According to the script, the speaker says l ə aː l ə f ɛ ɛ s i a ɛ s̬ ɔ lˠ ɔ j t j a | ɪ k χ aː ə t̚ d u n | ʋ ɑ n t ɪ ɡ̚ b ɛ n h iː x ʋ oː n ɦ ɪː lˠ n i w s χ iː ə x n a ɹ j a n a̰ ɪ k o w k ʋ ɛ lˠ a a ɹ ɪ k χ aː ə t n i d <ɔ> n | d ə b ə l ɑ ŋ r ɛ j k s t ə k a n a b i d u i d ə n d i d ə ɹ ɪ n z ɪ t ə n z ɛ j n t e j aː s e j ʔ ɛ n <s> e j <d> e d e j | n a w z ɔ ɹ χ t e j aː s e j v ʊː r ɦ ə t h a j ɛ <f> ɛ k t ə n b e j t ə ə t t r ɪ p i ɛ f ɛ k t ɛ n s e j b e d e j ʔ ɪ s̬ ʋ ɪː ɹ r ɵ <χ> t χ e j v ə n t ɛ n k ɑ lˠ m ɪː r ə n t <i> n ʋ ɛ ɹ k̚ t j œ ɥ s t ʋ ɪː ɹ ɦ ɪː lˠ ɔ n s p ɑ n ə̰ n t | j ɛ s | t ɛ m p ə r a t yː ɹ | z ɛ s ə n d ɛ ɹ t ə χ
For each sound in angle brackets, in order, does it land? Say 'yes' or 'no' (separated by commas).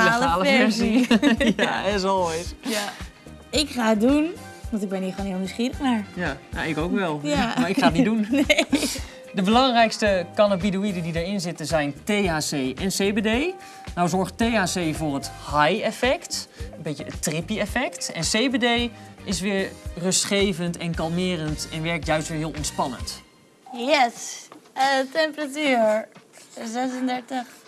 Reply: no, yes, no, yes, no, no